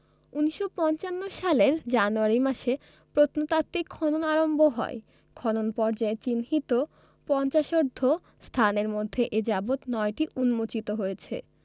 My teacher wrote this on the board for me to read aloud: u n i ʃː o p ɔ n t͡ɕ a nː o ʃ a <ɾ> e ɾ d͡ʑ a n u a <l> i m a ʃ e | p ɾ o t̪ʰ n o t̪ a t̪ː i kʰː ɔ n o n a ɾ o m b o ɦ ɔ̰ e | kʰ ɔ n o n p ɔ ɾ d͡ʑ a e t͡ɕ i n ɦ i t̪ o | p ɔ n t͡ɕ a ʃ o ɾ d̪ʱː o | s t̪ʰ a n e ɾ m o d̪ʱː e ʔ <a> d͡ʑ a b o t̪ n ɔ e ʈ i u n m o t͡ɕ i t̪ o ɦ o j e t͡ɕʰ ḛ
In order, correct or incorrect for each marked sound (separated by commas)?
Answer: incorrect, incorrect, incorrect